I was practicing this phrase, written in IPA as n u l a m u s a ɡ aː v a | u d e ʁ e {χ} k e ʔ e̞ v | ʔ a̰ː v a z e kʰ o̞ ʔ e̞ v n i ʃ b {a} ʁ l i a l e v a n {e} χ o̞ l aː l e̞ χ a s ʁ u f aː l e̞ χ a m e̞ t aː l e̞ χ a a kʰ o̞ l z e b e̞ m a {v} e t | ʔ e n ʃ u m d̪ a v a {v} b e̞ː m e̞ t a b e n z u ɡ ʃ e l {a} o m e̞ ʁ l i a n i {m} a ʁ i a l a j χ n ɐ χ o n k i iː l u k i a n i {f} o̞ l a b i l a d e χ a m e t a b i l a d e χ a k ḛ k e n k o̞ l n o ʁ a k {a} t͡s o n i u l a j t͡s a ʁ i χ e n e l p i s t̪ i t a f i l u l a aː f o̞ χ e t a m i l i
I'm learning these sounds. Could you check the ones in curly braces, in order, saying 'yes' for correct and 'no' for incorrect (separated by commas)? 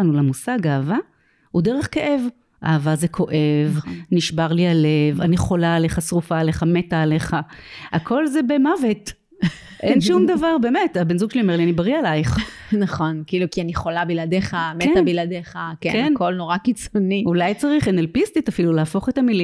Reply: yes, yes, no, yes, no, no, no, no, no